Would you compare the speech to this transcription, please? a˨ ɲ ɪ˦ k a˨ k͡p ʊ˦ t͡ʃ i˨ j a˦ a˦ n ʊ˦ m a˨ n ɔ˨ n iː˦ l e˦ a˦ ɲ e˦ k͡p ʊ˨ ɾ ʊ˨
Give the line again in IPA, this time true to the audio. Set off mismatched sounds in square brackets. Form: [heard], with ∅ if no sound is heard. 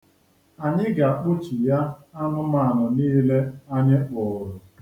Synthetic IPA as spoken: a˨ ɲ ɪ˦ [ɡ] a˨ k͡p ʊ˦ t͡ʃ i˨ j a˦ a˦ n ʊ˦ m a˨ n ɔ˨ n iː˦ l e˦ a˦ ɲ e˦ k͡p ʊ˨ ɾ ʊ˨